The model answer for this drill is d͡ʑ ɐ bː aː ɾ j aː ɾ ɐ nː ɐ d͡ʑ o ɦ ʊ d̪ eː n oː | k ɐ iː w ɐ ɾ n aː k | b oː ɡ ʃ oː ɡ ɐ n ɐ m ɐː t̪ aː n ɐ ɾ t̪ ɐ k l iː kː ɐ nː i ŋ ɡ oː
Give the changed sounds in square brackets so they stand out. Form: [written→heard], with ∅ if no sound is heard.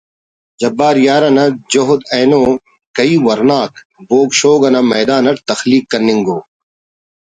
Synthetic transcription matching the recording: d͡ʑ ɐ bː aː ɾ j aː ɾ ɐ [nː→n] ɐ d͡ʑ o ɦ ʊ d̪ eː n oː | k ɐ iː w ɐ ɾ n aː k | b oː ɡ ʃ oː ɡ ɐ n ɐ m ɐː [t̪→d̪] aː n ɐ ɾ t̪ ɐ [k→x] l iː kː ɐ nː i ŋ ɡ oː